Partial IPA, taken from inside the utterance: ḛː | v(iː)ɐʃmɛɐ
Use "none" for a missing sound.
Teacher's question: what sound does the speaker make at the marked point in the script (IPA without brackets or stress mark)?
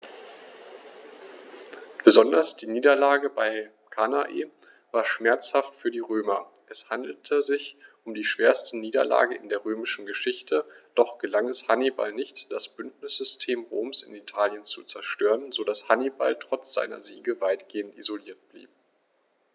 aː